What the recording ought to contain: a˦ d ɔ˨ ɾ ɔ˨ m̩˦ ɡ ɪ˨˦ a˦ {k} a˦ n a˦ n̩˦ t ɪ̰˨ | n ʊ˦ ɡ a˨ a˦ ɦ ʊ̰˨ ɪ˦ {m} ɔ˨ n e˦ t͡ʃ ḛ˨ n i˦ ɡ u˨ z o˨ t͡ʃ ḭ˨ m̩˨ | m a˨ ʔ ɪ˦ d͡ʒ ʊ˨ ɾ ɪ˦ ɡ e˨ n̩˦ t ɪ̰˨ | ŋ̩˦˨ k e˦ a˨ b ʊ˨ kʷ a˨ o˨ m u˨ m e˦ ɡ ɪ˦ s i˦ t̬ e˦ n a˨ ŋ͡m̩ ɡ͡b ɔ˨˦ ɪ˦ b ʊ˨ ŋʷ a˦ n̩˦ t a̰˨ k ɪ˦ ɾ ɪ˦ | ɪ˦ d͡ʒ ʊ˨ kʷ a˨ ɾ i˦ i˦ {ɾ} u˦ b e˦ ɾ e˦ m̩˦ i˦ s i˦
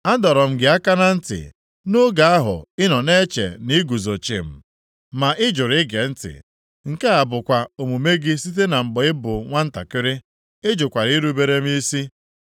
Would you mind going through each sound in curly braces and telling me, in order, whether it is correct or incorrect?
correct, incorrect: n, correct

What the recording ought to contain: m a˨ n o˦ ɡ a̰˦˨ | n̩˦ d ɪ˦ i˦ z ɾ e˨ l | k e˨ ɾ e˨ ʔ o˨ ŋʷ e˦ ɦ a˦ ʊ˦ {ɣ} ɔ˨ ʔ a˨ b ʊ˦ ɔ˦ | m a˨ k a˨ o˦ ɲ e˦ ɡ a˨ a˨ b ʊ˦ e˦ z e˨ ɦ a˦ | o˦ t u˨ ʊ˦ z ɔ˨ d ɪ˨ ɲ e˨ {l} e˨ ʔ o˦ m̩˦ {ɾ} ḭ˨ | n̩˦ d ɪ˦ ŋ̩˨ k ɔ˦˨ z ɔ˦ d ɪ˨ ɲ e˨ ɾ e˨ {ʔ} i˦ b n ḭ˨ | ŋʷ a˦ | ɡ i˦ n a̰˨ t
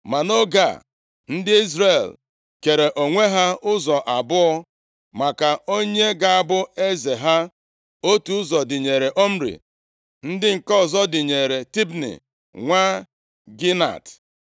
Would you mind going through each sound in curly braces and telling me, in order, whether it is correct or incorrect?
incorrect: z, incorrect: ɾ, correct, incorrect: t

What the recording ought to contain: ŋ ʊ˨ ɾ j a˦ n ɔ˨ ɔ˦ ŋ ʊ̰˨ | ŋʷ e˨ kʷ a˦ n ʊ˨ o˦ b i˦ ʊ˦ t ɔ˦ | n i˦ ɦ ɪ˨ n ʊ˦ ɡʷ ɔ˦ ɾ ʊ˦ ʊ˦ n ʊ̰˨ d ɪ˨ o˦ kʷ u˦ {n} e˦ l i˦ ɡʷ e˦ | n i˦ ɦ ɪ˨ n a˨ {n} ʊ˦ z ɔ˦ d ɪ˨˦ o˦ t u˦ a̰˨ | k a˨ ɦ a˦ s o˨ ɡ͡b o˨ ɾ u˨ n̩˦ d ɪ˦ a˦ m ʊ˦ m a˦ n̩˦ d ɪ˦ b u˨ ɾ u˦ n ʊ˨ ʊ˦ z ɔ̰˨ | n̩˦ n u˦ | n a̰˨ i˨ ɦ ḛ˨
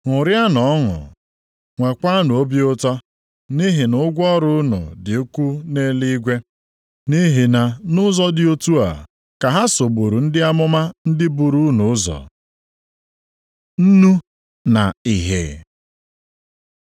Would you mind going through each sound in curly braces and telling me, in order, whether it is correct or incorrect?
correct, correct

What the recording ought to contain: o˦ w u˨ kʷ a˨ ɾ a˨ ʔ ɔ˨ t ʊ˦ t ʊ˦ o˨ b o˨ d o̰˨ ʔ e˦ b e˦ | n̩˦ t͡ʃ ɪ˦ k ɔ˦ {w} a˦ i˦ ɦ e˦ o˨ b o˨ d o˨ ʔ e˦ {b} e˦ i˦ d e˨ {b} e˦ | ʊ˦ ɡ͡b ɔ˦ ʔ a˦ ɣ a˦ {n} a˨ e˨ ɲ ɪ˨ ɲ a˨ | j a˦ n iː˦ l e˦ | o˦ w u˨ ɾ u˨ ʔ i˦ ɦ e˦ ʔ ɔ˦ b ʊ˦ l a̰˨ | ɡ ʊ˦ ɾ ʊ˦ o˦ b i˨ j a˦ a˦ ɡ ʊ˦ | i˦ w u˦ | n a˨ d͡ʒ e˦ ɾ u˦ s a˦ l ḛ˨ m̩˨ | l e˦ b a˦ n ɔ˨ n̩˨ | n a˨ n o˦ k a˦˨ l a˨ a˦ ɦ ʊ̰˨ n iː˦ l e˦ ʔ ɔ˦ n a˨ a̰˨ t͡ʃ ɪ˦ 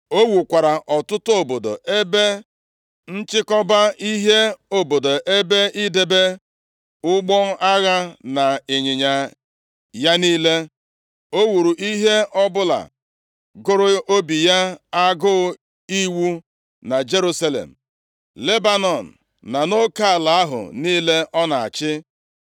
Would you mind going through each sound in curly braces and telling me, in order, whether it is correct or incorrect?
incorrect: b, correct, correct, correct

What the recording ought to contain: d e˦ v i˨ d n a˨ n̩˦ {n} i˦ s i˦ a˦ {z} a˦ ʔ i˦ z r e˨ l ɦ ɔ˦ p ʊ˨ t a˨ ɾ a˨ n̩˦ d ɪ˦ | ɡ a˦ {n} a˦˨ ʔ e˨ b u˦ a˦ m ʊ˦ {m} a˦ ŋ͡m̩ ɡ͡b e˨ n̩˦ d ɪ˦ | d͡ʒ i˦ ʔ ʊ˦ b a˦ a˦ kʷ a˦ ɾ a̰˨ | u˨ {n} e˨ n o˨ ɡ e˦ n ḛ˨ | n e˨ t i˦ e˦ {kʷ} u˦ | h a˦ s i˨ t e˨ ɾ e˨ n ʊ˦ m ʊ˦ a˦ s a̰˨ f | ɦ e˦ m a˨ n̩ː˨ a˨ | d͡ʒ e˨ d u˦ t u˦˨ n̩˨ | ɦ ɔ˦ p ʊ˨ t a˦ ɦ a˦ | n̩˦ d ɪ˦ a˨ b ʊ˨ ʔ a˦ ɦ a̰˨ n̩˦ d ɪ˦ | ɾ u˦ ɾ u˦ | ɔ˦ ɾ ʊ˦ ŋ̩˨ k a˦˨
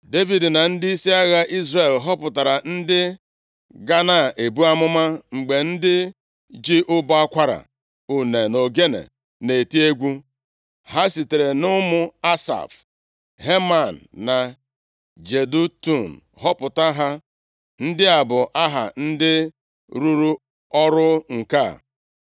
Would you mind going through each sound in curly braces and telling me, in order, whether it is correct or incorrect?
incorrect: d, incorrect: ɣ, correct, correct, correct, incorrect: ɡʷ

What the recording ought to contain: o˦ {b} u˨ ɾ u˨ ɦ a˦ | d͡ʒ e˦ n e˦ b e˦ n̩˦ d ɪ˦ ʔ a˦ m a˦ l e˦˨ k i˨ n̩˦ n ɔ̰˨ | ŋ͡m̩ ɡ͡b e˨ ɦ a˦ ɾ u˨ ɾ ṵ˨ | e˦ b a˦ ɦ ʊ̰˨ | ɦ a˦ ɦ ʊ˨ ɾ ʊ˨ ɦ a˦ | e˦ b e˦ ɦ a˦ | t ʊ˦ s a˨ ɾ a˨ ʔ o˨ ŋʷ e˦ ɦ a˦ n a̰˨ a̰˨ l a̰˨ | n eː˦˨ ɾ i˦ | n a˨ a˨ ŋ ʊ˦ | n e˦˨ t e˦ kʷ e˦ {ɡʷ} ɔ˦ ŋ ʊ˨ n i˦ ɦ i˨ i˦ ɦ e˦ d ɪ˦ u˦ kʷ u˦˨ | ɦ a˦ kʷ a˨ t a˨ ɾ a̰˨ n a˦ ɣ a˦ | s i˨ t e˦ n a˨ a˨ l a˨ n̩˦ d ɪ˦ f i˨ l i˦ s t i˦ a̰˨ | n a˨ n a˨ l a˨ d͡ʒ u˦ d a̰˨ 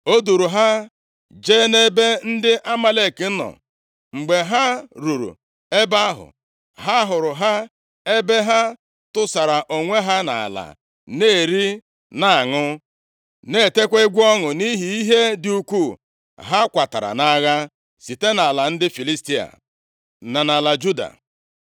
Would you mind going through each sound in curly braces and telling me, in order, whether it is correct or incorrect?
incorrect: d, correct

